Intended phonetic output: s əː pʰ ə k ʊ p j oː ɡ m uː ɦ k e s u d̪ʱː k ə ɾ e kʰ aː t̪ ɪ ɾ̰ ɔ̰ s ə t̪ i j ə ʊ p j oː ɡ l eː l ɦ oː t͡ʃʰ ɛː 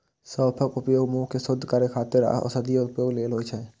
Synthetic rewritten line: s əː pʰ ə k ʊ p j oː ɡ m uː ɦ k e s ʊ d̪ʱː k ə ɾ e kʰ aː t̪ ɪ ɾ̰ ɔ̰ s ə d̪ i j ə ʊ p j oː ɡ l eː l ɦ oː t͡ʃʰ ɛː

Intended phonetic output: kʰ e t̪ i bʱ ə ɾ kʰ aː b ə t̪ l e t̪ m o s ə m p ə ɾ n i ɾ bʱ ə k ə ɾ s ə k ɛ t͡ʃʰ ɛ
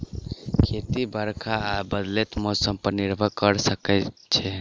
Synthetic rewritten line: kʰ e t̪ i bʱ ə ɾ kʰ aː b ə d̪ l e t̪ m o s ə m p ə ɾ n i ɾ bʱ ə k ə ɾ s ə k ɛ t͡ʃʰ ɛ

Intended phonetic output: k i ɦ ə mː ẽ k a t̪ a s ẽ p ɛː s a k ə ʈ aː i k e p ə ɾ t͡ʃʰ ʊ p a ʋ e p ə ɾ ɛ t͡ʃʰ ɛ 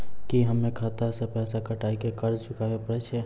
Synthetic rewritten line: k i ɦ ə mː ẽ kʰ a t̪ a s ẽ p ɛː s a k ə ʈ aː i k e k ə ɾ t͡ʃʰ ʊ k a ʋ e p ə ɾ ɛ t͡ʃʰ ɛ

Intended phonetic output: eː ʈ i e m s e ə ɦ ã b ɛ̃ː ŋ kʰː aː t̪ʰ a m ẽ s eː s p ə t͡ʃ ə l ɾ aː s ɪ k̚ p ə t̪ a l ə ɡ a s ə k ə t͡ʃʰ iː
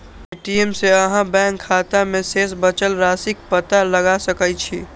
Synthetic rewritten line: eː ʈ i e m s e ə ɦ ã b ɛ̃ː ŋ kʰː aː t̪ a m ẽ s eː s b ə t͡ʃ ə l ɾ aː s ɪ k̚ p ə t̪ a l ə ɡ a s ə k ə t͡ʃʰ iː

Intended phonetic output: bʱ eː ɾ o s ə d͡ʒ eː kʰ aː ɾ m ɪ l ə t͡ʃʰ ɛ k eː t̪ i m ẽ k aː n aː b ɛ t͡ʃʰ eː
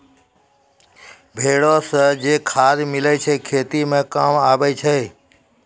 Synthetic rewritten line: bʱ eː ɽ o s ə d͡ʒ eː kʰ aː ɾ m ɪ l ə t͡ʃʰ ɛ kʰ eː t̪ i m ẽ k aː m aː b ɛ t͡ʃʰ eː

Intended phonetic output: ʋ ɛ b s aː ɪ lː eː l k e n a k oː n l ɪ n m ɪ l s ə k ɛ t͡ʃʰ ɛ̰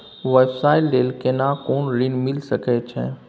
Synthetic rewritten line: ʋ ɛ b s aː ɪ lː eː l k e n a k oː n ɾ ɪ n m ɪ l s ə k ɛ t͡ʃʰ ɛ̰

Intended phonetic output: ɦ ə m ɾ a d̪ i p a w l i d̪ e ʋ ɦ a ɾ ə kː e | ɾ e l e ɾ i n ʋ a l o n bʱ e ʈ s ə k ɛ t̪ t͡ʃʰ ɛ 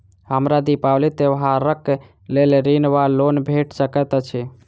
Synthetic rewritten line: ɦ ə m ɾ a d̪ i p a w l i t̪ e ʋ ɦ a ɾ ə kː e | l e l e ɾ i n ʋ a l o n bʱ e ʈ s ə k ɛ t̪ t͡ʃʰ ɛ

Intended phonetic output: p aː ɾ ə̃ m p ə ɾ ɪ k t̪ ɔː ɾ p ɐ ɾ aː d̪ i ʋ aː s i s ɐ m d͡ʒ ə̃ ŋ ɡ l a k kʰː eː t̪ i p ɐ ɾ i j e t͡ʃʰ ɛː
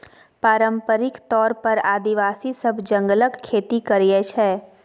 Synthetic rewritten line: p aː ɾ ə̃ m p ə ɾ ɪ k t̪ ɔː ɾ p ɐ ɾ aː d̪ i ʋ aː s i s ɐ b d͡ʒ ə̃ ŋ ɡ l ə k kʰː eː t̪ i k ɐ ɾ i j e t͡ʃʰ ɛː

